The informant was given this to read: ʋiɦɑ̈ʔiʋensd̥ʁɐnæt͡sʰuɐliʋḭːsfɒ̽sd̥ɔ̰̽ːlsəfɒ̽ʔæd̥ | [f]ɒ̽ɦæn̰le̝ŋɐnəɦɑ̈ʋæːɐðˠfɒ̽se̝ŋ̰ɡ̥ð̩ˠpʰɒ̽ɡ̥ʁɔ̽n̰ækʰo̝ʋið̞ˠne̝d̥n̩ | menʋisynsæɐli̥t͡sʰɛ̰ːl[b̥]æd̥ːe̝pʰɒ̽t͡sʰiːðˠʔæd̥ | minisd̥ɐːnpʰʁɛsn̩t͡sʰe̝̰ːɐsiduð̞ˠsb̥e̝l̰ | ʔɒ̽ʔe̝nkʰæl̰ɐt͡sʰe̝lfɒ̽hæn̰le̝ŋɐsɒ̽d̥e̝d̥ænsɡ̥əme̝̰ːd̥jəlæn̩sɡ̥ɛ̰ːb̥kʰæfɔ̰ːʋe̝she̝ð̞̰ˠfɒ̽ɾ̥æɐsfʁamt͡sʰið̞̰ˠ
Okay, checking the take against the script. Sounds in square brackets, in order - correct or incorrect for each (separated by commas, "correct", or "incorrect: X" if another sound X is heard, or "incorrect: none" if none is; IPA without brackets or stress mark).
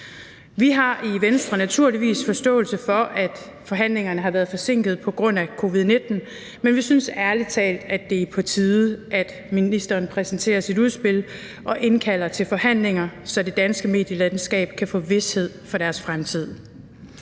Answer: correct, incorrect: d̥